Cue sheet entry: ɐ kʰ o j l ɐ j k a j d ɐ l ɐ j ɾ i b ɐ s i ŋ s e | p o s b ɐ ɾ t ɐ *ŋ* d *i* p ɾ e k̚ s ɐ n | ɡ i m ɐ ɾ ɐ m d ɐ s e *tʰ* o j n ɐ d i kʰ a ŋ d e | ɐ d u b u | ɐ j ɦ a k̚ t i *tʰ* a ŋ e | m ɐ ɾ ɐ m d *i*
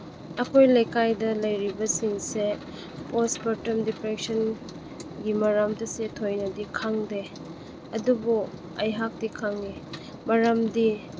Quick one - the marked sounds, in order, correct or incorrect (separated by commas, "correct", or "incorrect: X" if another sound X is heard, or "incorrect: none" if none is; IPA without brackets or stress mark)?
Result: incorrect: m, correct, correct, incorrect: kʰ, correct